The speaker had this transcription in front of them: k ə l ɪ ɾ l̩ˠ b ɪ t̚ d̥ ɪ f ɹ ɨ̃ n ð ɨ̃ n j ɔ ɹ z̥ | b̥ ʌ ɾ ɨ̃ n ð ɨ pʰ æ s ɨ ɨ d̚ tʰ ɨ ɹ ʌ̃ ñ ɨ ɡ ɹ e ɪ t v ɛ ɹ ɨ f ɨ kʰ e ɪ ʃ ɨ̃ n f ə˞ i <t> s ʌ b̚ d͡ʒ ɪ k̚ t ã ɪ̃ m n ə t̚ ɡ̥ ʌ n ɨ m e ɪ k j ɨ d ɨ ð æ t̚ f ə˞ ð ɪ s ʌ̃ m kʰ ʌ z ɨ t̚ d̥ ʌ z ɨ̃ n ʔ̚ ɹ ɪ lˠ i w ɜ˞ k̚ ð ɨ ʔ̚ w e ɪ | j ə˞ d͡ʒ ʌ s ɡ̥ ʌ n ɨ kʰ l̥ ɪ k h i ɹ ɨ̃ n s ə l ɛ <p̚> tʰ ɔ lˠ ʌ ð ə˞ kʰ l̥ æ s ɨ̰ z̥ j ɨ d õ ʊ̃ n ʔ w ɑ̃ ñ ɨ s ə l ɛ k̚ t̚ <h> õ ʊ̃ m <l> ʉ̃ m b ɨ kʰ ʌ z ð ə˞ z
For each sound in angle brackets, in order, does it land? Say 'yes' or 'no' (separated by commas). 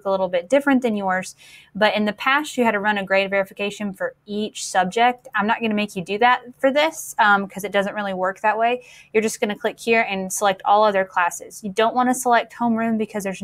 no, no, yes, no